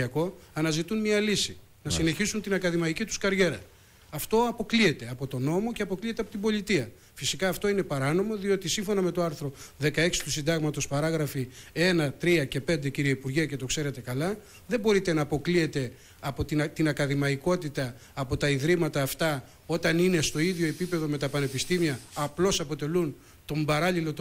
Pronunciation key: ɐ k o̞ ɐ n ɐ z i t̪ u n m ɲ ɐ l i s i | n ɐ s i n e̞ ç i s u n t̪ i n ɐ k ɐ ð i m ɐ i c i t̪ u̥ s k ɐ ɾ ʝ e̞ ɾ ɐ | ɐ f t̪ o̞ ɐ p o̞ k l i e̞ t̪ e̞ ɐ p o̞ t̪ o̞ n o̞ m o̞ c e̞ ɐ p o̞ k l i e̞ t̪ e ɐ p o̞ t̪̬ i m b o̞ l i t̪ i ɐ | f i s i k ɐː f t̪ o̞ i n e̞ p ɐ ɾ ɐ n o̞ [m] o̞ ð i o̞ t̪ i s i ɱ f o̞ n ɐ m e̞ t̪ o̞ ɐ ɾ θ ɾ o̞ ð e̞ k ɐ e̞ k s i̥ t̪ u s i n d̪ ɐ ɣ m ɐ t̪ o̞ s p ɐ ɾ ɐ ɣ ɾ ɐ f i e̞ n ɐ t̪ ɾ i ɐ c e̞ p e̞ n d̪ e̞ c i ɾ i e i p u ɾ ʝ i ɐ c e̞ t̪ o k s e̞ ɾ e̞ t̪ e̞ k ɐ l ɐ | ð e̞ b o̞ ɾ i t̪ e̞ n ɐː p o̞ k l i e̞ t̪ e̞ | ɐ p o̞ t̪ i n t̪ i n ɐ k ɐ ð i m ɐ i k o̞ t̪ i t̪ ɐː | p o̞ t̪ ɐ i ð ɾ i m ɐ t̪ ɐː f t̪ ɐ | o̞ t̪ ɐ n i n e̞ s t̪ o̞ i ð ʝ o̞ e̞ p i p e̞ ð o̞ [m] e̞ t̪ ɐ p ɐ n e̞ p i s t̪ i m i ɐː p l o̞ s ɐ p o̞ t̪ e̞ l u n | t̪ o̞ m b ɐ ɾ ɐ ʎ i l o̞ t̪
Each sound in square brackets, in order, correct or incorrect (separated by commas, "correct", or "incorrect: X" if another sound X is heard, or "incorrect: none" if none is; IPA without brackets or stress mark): correct, correct